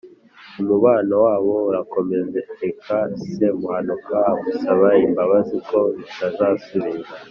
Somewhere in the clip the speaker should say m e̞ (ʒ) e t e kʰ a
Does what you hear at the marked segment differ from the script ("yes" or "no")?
yes